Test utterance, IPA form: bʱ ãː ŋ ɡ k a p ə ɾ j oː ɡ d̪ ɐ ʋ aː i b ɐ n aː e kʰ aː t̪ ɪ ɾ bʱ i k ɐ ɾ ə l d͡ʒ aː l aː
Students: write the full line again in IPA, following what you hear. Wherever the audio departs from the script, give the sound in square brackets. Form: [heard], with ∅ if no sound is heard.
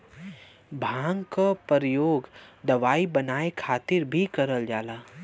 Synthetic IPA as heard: bʱ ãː ŋ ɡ k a p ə ɾ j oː ɡ d̪ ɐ ʋ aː i b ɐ n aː e kʰ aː t̪ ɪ ɾ bʱ i k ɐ ɾ ə l d͡ʒ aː l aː